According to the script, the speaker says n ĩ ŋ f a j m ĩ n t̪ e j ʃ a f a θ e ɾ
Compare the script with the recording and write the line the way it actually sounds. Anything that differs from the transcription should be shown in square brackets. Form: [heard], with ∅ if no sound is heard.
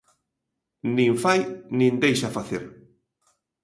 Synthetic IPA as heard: n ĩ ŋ f a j [n] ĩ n [d̪] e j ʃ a f a θ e ɾ